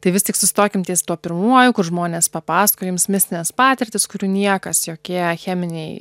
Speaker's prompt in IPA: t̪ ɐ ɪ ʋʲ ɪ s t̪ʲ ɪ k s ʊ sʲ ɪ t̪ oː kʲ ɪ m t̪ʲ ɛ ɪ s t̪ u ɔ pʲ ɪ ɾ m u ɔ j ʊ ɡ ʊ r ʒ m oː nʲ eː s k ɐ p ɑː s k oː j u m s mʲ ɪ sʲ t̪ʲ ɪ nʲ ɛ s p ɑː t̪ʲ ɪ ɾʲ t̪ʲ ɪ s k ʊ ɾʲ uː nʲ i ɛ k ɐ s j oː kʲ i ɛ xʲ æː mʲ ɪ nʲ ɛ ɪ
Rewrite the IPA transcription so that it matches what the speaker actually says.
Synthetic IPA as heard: t̪ ɐ ɪ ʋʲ ɪ s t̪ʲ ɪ k s ʊ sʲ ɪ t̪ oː kʲ ɪ m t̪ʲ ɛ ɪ s t̪ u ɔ pʲ ɪ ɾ m u ɔ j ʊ k ʊ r ʒ m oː nʲ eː s p ɐ p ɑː s k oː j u m s mʲ ɪ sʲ t̪ʲ ɪ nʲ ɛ s p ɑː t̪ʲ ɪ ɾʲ t̪ʲ ɪ s k ʊ ɾʲ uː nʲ i ɛ k ɐ s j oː kʲ i ɛ xʲ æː mʲ ɪ nʲ ɛ ɪ

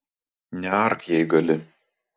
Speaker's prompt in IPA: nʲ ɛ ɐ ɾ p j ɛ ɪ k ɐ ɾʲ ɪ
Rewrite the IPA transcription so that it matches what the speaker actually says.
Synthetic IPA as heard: nʲ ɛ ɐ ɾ k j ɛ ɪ ɡ ɐ lʲ ɪ

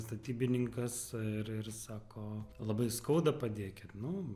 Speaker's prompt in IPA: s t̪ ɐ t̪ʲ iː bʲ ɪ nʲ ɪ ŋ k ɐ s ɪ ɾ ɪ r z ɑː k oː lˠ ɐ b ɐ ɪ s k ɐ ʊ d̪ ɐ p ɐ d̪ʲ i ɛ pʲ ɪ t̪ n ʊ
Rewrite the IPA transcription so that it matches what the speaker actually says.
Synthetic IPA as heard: s t̪ ɐ t̪ʲ iː bʲ ɪ nʲ ɪ ŋ k ɐ s ɪ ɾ ɪ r s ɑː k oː lˠ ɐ b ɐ ɪ s k ɐ ʊ d̪ ɐ p ɐ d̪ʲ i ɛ kʲ ɪ t̪ n ʊ

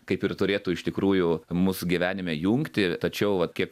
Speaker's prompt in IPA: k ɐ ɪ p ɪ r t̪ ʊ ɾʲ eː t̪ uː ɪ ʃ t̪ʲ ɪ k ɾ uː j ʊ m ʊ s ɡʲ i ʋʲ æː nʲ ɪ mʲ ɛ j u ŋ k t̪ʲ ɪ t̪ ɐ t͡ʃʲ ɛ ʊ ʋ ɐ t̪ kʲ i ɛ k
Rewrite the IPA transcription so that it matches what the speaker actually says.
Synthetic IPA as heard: k ɐ ɪ p ɪ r t̪ ʊ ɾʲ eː t̪ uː ɪ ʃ t̪ʲ ɪ k ɾ uː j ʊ m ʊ s ɡʲ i ʋʲ æː nʲ ɪ mʲ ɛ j u ŋ k t̪ʲ ɪ t̪ ɐ t͡ʃʲ ɛ ʊ ʋ ɐ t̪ kʲ i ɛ k

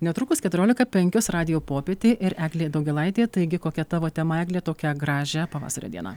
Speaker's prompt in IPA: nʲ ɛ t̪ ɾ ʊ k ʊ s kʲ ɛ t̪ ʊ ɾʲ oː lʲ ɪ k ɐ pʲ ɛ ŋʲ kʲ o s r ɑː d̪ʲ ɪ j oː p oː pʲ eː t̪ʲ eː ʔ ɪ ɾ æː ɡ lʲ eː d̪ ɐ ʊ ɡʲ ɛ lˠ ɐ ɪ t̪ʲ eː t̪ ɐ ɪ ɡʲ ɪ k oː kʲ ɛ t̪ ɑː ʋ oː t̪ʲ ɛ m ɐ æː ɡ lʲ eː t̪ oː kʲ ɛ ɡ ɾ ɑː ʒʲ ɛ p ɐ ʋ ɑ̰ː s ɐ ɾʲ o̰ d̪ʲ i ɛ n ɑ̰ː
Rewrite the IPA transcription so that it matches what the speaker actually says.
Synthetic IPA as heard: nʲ ɛ t̪ ɾ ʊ k ʊ s kʲ ɛ t̪ ʊ ɾʲ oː lʲ ɪ k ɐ pʲ ɛ ŋʲ kʲ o s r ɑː d̪ʲ ɪ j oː p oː pʲ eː t̪ʲ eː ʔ ɪ ɾ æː ɡ lʲ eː d̪ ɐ ʊ ɡʲ ɛ lˠ ɐ ɪ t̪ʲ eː t̪ ɐ ɪ ɡʲ ɪ k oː kʲ ɛ t̪ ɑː ʋ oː t̪ʲ ɛ m ɐ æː ɡ lʲ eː t̪ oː kʲ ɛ ɡ ɾ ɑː ʒʲ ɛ p ɐ ʋ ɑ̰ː s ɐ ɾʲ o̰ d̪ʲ i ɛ n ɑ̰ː

